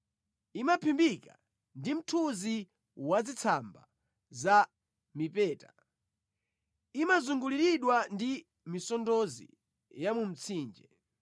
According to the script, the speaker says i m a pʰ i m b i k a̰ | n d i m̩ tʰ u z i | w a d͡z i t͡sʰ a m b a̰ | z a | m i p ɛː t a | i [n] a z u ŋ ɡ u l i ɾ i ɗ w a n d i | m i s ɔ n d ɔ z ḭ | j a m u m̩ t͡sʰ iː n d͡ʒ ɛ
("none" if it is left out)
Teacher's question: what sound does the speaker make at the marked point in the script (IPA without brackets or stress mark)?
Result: m